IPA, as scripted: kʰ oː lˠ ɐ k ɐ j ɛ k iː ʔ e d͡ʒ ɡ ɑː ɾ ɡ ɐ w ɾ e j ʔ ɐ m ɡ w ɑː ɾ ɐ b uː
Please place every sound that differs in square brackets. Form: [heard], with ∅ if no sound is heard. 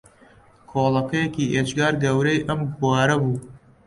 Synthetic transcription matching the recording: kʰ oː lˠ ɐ k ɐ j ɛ k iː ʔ e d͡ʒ ɡ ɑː ɾ ɡ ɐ w ɾ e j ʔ ɐ m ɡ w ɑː ɾ ɐ b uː

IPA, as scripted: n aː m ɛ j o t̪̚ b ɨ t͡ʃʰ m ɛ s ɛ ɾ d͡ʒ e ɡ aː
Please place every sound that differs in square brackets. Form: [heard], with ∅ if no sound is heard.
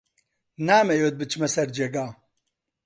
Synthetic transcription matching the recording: n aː m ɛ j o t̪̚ b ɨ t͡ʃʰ m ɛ s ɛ ɾ d͡ʒ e ɡ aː

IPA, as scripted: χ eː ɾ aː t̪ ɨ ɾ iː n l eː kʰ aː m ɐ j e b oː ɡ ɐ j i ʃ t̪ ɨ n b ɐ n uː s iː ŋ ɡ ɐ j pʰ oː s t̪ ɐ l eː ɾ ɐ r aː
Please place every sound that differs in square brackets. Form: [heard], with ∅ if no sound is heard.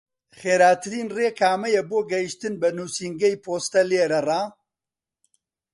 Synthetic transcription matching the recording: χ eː ɾ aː t̪ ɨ ɾ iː n [r] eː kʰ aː m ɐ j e b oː ɡ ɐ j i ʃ t̪ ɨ n b ɐ n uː s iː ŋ ɡ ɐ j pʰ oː s t̪ ɐ l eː ɾ ɐ r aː

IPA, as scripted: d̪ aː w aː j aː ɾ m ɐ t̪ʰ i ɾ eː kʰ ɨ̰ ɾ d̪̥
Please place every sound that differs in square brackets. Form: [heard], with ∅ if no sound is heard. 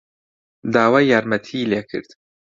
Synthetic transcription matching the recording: d̪ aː w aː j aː ɾ m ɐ t̪ʰ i [l] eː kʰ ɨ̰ ɾ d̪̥

